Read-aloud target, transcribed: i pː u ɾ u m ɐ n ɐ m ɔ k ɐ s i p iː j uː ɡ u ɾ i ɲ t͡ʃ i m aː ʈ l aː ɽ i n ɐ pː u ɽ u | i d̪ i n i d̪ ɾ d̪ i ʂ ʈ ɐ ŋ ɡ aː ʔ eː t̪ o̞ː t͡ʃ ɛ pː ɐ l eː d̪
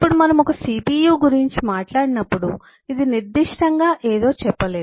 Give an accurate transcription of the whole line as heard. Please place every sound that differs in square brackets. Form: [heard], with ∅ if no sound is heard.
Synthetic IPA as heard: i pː u [ɽ] u m ɐ n ɐ m ɔ k ɐ s i p iː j uː ɡ u ɾ i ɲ t͡ʃ i m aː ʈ l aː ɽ i n ɐ pː u ɽ u | i d̪ i n i [∅] ɾ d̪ i ʂ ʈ ɐ ŋ ɡ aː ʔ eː [d̪] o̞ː t͡ʃ ɛ pː ɐ l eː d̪

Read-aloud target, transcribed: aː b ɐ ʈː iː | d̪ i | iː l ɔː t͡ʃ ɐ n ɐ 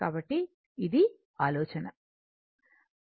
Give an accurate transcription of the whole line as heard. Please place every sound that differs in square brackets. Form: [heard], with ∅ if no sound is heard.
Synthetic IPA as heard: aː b ɐ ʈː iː | d̪ i | [aː] l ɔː t͡ʃ ɐ n ɐ

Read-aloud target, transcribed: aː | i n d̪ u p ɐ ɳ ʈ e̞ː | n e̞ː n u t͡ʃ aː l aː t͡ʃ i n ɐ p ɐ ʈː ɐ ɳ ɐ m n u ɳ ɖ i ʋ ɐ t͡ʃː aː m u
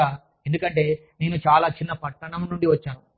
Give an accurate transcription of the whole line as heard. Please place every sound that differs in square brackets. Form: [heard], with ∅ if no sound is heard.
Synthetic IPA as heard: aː | [e] n d̪ u [k] ɐ ɳ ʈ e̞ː | n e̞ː n u t͡ʃ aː l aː t͡ʃ i [nː] ɐ p ɐ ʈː ɐ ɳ ɐ m n u ɳ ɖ i ʋ ɐ t͡ʃː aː [n] u

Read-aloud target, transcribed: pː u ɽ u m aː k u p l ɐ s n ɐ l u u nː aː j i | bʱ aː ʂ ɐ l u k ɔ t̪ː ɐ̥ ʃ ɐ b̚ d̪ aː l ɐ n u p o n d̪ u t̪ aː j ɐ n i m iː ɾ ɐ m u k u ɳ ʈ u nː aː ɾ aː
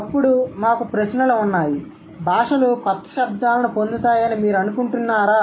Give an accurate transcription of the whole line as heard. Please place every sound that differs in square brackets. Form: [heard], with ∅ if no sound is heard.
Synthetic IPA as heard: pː u ɽ u m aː k u p [ɾ] ɐ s n ɐ l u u nː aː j i | bʱ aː ʂ ɐ l u k ɔ t̪ː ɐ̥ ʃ ɐ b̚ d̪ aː l ɐ n u p o n d̪ u t̪ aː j ɐ n i m iː ɾ ɐ [n] u k u ɳ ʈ u nː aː ɾ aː

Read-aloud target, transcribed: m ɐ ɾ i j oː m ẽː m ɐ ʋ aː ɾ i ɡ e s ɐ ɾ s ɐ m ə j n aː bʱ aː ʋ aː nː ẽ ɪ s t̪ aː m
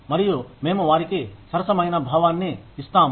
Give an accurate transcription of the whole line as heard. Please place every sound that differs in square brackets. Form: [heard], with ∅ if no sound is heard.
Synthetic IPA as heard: m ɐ ɾ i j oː m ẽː m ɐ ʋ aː ɾ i [k] e s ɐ ɾ s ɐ m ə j n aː bʱ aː ʋ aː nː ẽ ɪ s t̪ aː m

